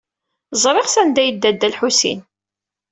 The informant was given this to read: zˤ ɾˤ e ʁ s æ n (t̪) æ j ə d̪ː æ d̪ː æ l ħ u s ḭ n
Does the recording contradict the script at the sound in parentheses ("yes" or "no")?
yes